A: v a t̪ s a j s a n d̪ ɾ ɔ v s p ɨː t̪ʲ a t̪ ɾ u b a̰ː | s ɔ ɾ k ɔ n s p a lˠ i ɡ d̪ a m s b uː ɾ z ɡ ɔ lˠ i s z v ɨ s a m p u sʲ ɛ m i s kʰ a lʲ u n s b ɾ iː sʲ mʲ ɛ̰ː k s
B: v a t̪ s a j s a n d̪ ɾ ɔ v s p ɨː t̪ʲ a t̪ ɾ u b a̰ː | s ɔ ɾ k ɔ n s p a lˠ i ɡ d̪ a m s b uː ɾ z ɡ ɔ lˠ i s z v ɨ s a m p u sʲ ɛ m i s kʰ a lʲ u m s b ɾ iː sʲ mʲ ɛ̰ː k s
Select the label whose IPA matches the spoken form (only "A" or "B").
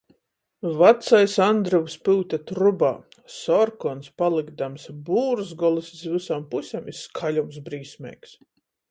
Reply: B